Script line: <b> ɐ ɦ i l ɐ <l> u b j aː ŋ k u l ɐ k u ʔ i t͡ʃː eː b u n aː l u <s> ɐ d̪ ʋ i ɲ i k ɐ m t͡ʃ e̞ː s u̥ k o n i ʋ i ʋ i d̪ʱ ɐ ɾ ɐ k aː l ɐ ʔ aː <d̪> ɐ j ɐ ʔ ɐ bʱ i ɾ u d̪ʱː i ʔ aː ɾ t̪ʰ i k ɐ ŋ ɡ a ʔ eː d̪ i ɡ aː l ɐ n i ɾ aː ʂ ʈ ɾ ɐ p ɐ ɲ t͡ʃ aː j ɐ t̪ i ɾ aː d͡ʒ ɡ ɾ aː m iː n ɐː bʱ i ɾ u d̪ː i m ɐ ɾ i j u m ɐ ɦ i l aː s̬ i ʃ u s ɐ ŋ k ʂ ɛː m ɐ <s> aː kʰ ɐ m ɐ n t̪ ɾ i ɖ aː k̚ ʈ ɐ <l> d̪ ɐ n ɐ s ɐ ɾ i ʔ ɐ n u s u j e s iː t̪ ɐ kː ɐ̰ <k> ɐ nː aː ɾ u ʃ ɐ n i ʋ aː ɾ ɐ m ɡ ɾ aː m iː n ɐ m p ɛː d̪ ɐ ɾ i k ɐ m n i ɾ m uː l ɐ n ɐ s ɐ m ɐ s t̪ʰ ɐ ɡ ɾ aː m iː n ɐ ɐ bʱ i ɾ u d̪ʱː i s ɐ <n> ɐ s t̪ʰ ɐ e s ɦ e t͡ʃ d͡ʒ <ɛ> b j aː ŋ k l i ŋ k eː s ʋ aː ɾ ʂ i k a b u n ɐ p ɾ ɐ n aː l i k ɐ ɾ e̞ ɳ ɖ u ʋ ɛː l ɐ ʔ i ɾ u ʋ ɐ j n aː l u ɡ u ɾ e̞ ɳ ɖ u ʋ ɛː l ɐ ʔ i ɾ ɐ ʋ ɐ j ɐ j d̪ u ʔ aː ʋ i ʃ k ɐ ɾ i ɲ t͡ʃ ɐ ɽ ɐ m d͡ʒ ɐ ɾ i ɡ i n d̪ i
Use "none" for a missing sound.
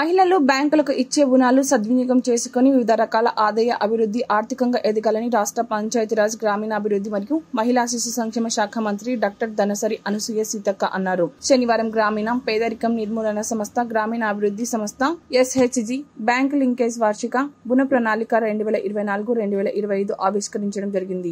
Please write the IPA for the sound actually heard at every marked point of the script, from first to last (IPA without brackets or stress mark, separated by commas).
m, l, s, d̪, ʃ, ɾ, ʔ, m, i